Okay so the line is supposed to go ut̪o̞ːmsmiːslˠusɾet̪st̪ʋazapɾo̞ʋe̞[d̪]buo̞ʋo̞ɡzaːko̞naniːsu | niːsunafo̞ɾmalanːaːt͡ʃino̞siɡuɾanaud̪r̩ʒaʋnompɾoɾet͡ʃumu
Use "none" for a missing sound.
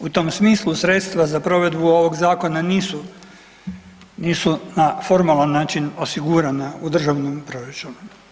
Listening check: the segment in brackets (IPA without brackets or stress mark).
d̪